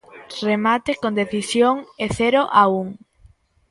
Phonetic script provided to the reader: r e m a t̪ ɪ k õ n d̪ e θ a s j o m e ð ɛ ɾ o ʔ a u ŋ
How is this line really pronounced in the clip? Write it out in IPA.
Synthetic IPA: r e m a t̪ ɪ k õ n d̪ e θ i s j o ŋ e θ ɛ ɾ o ʔ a u ŋ

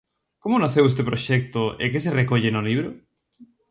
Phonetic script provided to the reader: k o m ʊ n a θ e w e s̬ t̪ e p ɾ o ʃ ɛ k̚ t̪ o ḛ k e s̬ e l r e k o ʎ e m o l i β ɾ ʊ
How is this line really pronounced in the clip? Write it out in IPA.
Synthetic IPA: k o m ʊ n a θ e w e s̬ t̪ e p ɾ o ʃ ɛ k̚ t̪ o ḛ k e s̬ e r e k o ʎ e n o l i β ɾ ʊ

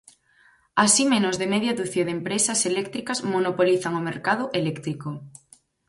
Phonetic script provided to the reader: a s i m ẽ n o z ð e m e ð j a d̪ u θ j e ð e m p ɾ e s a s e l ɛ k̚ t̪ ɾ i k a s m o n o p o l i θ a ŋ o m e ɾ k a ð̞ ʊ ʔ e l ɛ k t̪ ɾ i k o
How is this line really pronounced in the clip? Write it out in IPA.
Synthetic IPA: a s i m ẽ n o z ð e m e ð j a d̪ u θ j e ð e m p ɾ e s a s e l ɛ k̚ t̪ ɾ i k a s m o n o p o l i θ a ŋ o m e ɾ k a ð̞ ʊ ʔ e l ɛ k t̪ ɾ i k o

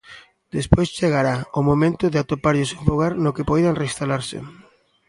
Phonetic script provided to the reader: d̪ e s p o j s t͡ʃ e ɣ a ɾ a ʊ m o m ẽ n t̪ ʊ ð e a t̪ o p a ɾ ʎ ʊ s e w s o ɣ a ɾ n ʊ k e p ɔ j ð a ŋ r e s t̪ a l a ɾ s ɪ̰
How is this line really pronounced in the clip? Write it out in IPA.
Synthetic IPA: d̪ e s p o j s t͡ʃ e ɣ a ɾ a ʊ m o m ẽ n t̪ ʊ ð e a t̪ o p a ɾ ʎ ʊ s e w f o ɣ a ɾ n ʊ k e p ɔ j ð a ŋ r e s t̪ a l a ɾ s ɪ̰

